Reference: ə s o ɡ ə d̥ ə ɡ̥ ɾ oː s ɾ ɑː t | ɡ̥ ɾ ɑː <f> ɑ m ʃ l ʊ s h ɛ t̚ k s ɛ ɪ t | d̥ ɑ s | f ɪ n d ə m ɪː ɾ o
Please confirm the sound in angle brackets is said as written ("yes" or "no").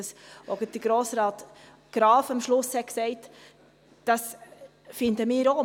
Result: yes